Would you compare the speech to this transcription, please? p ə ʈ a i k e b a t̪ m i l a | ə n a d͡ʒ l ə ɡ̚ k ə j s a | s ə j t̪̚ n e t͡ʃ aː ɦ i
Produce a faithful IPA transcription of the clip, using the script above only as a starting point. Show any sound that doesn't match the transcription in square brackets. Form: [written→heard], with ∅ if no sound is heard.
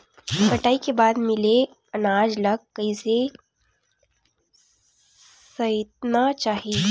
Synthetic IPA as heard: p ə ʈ a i k e b a [t̪→d̪] m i l [a→e] | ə n a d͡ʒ l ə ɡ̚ k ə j s [a→e] | s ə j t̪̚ n [e→a] t͡ʃ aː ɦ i